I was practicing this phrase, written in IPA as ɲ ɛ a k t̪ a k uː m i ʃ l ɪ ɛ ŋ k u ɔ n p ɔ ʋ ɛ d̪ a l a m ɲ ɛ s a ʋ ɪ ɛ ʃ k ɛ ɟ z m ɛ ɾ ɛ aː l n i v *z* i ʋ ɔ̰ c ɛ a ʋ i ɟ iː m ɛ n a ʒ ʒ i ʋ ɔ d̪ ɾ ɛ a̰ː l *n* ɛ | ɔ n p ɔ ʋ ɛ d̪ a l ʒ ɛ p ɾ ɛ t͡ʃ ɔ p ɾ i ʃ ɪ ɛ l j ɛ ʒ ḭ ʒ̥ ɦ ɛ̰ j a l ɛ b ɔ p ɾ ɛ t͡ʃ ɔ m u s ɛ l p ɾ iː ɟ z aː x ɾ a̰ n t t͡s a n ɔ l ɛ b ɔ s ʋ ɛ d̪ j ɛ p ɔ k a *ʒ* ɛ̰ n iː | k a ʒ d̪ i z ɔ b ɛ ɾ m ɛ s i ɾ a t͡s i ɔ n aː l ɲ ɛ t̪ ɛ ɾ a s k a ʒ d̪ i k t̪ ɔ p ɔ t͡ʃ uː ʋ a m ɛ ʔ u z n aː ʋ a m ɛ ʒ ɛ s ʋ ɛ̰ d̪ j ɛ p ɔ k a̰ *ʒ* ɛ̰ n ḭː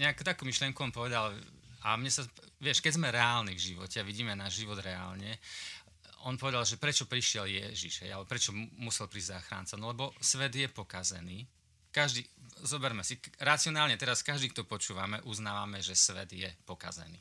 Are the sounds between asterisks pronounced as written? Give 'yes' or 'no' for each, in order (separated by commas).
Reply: no, no, no, no